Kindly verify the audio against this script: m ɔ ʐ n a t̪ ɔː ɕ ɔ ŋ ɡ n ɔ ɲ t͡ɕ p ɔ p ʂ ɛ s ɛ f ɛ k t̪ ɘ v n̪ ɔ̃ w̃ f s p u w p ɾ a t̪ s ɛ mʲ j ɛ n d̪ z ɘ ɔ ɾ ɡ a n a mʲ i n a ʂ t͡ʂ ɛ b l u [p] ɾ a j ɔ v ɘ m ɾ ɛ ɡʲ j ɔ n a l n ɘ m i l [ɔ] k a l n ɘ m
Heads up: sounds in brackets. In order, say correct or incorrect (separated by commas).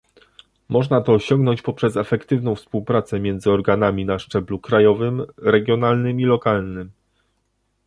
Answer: incorrect, correct